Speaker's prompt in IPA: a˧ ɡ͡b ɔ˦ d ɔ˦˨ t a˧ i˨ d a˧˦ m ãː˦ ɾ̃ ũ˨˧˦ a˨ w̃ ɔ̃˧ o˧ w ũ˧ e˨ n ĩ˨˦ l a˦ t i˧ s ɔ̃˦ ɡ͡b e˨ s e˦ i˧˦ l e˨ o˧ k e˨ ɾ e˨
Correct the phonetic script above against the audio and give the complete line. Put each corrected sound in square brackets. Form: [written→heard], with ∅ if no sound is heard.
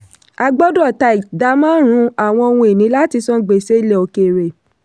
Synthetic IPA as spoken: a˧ ɡ͡b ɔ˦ d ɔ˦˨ t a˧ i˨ d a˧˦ m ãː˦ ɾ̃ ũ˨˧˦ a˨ w̃ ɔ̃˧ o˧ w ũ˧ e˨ n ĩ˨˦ l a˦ t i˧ s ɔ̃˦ ɡ͡b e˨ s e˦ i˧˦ l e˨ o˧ k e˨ ɾ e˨